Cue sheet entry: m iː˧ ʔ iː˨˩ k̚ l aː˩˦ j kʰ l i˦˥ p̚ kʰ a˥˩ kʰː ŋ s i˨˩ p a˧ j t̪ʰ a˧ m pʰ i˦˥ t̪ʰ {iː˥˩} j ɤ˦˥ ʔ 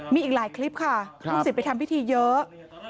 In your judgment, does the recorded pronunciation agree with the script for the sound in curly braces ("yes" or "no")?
no